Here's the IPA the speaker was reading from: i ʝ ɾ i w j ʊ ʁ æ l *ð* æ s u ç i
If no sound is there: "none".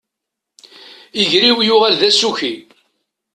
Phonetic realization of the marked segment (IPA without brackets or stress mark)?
ð